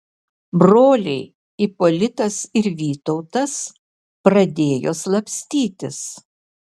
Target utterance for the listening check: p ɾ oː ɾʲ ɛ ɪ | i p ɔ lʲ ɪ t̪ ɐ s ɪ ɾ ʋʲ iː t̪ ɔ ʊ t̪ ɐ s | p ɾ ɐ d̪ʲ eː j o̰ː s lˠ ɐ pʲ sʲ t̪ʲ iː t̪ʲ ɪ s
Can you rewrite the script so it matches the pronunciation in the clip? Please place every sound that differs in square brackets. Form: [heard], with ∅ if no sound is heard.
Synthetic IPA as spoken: [b] ɾ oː [lʲ] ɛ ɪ | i p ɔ lʲ ɪ t̪ ɐ s ɪ ɾ ʋʲ iː t̪ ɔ ʊ t̪ ɐ s | p ɾ ɐ d̪ʲ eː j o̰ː s lˠ ɐ pʲ sʲ t̪ʲ iː t̪ʲ ɪ s